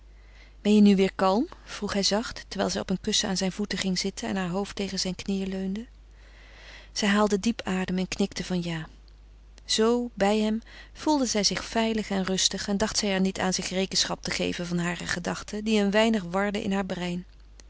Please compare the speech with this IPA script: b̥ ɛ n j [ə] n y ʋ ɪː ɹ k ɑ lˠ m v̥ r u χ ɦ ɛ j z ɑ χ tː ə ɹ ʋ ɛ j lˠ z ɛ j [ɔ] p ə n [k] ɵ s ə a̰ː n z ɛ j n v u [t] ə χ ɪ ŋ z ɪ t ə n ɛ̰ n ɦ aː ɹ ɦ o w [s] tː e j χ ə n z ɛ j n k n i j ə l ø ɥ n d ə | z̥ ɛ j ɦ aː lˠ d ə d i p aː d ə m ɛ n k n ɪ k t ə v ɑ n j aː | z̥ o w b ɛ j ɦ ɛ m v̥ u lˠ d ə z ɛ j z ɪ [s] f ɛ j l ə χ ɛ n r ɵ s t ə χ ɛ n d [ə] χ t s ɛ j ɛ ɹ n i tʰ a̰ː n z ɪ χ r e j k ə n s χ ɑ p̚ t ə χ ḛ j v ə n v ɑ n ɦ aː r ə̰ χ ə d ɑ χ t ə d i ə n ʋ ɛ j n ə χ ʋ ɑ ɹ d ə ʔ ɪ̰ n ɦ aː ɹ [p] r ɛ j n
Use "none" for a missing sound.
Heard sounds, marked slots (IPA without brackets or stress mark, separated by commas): ə, ɔ, k, t, f, χ, ɑ, b